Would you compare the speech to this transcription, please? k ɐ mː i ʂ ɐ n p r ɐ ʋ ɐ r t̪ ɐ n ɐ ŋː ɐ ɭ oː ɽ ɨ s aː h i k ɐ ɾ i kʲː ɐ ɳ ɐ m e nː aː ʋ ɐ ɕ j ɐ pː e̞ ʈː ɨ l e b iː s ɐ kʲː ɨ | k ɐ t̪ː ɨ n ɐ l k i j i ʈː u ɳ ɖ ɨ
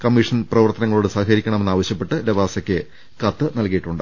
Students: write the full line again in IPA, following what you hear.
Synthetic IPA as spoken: k ɐ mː i ʂ ɐ n p r ɐ ʋ ɐ r t̪ ɐ n ɐ ŋː ɐ ɭ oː ɽ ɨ s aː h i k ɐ ɾ i kʲː ɐ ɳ ɐ m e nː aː ʋ ɐ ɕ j ɐ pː e̞ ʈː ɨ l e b aː s ɐ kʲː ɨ | k ɐ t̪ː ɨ n ɐ l k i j i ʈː u ɳ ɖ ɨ